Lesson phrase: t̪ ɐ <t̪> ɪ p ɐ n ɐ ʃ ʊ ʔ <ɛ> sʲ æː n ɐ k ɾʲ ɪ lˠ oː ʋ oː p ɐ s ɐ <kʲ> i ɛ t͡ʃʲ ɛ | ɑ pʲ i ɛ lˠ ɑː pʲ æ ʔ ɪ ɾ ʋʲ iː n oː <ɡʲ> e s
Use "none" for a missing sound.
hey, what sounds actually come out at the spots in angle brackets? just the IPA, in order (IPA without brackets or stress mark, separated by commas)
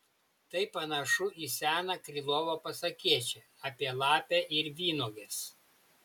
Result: none, i, kʲ, ɡʲ